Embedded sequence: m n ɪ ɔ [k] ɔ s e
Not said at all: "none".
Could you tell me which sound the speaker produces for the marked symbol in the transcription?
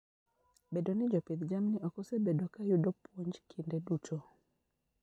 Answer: k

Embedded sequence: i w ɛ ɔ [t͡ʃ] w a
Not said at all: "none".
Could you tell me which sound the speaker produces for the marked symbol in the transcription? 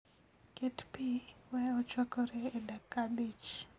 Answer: t͡ʃ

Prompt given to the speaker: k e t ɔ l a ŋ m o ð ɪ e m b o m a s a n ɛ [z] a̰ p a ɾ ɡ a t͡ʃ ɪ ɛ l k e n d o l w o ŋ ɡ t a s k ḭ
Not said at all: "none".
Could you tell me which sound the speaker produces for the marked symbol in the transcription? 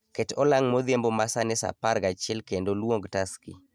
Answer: s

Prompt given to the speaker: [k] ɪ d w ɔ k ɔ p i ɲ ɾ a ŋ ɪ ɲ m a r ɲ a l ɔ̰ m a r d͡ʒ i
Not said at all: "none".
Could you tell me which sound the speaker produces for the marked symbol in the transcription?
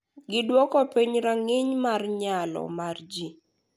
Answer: ɡ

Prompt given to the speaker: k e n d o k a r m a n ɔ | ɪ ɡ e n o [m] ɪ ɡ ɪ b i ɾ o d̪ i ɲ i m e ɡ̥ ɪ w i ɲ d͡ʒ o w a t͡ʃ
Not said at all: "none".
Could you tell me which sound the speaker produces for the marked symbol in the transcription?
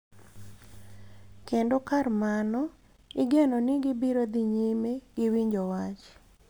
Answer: n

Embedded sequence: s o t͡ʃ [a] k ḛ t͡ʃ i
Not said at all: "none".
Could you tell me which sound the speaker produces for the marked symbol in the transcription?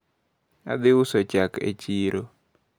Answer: a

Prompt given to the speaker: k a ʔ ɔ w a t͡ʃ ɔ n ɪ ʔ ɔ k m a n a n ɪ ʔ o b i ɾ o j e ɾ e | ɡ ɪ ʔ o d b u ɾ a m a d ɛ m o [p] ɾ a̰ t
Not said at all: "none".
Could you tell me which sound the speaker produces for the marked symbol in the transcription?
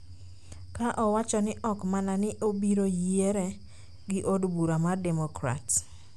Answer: k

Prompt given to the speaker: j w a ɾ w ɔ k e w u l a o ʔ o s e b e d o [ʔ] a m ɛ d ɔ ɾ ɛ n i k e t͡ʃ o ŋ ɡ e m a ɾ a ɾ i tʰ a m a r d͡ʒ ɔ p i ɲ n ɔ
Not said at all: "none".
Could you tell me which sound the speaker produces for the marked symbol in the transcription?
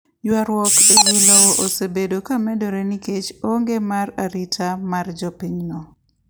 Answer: k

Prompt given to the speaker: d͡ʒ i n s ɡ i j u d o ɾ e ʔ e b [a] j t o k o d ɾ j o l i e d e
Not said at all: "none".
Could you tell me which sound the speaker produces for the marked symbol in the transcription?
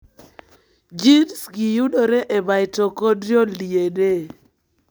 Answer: a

